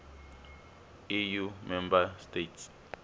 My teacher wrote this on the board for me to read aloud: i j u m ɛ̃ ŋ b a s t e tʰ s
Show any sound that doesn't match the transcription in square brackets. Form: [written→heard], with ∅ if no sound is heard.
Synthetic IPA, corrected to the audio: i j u m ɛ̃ [ŋ→m] b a s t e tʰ s